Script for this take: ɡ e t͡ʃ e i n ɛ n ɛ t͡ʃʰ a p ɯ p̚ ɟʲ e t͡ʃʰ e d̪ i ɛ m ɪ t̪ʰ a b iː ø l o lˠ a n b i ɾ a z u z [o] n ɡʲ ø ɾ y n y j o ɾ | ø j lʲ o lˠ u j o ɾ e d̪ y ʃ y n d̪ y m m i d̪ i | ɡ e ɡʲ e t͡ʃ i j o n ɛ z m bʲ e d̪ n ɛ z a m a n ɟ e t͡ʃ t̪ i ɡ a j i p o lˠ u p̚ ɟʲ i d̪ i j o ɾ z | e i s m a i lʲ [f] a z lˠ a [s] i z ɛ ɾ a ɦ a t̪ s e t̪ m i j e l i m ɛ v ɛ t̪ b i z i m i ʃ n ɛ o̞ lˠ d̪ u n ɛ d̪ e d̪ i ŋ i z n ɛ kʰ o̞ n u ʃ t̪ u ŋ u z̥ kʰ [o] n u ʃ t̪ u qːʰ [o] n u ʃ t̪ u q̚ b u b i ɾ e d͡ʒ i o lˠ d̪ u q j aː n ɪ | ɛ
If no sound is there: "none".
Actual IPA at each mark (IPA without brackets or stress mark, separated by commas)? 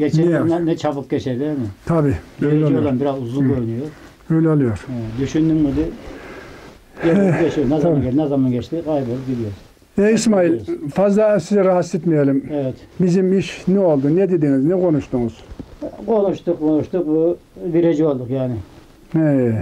u, f, s, o, o